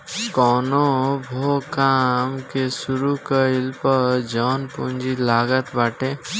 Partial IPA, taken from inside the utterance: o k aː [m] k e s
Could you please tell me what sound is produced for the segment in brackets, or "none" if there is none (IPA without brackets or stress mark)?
m